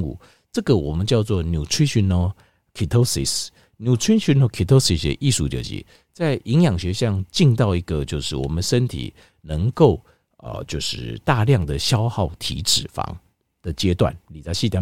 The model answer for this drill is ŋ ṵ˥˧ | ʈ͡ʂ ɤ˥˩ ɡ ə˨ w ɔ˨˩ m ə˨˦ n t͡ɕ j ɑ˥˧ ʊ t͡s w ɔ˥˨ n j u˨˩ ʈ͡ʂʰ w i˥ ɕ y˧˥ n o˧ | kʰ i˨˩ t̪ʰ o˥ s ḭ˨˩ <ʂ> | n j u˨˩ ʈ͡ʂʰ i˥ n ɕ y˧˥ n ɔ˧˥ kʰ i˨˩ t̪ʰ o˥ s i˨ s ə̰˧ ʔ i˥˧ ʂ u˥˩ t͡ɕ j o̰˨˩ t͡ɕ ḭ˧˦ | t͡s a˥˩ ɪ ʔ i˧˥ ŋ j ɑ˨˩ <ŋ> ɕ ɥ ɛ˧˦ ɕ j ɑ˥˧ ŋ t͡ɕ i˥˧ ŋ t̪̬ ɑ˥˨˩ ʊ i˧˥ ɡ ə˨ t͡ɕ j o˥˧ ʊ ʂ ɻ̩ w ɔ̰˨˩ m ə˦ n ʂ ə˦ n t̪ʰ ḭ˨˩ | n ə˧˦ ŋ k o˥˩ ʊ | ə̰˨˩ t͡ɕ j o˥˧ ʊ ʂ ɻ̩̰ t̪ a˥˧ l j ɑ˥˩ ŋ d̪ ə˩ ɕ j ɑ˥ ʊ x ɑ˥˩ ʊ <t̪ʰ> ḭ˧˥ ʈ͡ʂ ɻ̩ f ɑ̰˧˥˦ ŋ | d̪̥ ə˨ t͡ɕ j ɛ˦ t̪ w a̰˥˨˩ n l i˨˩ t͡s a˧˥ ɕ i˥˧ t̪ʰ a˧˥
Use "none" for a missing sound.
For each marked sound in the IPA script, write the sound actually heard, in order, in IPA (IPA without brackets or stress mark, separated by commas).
s, ŋ, t̪ʰ